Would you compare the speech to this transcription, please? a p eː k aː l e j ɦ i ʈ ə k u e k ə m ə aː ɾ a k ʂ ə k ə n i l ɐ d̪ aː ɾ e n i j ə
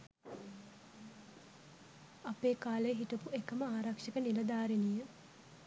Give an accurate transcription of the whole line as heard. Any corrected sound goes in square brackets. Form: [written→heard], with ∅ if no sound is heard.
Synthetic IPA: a p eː k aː l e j ɦ i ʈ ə [k→p] u e k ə m ə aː ɾ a k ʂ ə k ə n i l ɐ d̪ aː ɾ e n i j ə